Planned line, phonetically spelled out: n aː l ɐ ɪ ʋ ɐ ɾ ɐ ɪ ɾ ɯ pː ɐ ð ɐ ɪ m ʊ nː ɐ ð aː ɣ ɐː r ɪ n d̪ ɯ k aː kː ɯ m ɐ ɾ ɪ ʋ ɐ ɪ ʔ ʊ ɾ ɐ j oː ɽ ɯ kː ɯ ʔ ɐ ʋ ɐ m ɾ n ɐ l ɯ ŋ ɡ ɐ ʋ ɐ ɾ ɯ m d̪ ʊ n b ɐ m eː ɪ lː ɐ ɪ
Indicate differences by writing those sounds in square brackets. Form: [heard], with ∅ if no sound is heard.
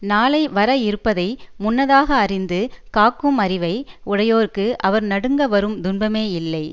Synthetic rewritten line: n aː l ɐ ɪ ʋ ɐ ɾ ɐ ɪ ɾ ɯ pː ɐ ð ɐ ɪ m ʊ nː ɐ ð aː ɣ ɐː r ɪ n d̪ ɯ k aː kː ɯ m ɐ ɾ ɪ ʋ ɐ ɪ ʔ ʊ [ɽ] ɐ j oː [ɾ] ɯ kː ɯ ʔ ɐ ʋ ɐ [∅] ɾ n ɐ [ɽ] ɯ ŋ ɡ ɐ ʋ ɐ ɾ ɯ m d̪ ʊ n b ɐ m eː ɪ lː ɐ ɪ